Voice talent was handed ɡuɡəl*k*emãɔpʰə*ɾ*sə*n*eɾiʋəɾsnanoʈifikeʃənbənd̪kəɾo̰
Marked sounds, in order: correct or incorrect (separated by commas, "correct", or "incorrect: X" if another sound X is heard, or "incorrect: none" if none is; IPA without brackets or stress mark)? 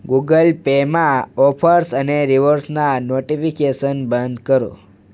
incorrect: p, correct, correct